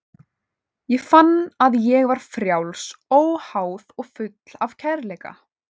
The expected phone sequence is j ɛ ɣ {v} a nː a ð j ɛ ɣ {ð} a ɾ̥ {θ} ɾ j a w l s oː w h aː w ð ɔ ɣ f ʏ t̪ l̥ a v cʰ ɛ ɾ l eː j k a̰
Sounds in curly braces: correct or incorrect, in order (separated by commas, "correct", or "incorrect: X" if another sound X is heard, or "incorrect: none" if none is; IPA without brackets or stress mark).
incorrect: f, incorrect: v, incorrect: f